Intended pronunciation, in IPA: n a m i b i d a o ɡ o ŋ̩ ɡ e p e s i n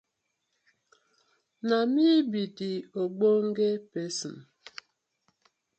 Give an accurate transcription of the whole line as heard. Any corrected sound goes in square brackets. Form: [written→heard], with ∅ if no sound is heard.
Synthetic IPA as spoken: n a m i b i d [a→i] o [ɡ→ɡ͡b] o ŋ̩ ɡ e p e s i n

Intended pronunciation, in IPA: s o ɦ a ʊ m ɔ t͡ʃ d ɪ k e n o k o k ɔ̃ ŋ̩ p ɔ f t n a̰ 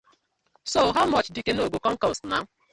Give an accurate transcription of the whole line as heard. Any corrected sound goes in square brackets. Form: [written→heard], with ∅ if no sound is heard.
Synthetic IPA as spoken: s o ɦ a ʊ m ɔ t͡ʃ d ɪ k e n o [k→ɡ] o k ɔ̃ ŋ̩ [p→k] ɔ [f→s] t n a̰

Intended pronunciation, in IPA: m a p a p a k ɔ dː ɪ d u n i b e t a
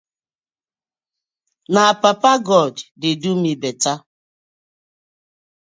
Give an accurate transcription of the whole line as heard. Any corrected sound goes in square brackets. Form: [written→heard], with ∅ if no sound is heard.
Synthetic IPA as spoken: [m→n] a p a p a [k→ɡ] ɔ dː ɪ d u [n→m] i b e t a

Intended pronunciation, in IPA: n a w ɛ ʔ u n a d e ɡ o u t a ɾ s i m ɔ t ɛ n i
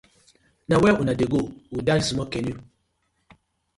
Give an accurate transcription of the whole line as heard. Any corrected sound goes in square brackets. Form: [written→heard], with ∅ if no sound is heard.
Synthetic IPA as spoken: n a w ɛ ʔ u n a d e ɡ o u [t→d] a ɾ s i m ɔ [t→k] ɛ n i

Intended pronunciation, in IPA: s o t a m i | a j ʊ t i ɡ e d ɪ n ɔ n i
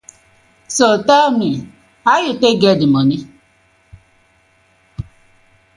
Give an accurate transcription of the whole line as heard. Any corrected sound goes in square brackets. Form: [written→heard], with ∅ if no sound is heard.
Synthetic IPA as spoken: s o t a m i | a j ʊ t [i→e] ɡ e d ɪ [n→m] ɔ n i

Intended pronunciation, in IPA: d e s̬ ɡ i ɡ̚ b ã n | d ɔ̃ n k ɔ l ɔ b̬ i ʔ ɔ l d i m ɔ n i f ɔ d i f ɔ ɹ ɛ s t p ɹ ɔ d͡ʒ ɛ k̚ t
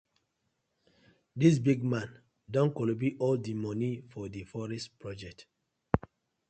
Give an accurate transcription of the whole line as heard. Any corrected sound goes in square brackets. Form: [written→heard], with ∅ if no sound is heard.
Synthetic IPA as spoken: d [e→i] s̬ [ɡ→b] i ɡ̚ [b→m] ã n | d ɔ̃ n k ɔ l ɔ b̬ i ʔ ɔ l d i m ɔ n i f ɔ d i f ɔ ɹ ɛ s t p ɹ ɔ d͡ʒ ɛ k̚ t

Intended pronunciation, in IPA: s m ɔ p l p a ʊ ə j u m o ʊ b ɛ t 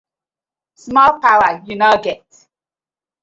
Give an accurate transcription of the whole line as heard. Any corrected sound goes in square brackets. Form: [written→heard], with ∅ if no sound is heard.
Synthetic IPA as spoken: s m ɔ [p→∅] l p a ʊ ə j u [m→n] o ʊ [b→ɡ] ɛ t

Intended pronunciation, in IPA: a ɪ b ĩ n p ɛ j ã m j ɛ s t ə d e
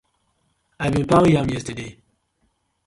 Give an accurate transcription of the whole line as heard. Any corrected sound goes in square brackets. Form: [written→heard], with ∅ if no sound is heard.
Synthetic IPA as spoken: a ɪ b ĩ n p [ɛ→a] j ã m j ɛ s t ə d e

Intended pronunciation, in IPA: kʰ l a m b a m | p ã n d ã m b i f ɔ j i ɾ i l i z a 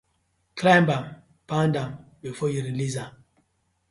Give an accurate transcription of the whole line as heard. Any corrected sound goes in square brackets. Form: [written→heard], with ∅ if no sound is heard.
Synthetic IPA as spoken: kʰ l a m b a m | p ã n d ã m b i f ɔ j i ɾ i l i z a

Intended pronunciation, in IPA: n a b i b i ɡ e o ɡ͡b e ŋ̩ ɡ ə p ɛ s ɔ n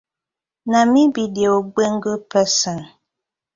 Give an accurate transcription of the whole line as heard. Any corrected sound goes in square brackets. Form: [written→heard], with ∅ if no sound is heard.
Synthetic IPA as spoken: n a [b→m] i b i [ɡ→d] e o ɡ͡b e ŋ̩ ɡ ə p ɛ s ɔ n

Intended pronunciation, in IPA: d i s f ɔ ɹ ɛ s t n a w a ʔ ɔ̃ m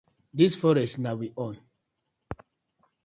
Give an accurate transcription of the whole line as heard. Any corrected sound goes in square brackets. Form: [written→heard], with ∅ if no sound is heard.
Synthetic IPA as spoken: d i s f ɔ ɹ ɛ s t n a w [a→i] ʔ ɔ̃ [m→n]

